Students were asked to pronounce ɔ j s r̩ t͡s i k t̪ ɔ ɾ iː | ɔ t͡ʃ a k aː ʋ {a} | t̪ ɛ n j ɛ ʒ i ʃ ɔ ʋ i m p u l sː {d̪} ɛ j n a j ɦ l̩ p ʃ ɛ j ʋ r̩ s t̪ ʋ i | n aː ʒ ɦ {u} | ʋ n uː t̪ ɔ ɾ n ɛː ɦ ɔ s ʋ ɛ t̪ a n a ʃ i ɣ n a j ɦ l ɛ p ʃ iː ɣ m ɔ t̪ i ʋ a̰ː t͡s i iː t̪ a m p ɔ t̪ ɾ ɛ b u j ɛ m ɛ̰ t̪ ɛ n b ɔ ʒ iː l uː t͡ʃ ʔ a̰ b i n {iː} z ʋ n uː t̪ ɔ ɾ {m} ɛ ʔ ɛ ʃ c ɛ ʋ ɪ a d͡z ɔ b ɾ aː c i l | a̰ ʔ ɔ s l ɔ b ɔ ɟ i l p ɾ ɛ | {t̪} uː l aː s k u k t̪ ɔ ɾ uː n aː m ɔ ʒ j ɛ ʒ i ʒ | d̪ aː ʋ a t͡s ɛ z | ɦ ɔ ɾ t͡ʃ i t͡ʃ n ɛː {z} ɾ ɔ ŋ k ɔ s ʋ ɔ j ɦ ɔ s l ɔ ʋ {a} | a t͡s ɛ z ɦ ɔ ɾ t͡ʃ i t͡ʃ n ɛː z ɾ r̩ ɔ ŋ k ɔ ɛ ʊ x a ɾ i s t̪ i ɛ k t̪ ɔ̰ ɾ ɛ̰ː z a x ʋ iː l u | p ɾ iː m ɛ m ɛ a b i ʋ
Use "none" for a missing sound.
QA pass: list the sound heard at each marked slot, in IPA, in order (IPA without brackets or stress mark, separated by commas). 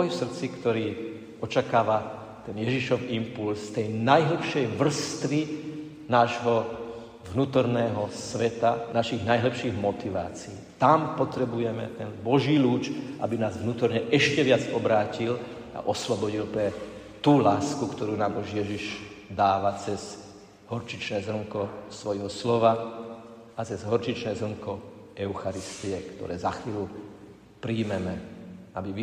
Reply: a, t̪, ɔ, aː, ɲ, t̪, z, a